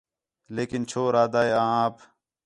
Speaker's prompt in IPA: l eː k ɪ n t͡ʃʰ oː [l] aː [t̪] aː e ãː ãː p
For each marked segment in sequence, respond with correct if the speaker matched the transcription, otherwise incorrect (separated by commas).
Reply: incorrect, incorrect